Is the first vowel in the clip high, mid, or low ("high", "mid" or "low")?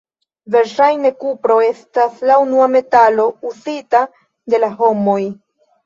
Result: mid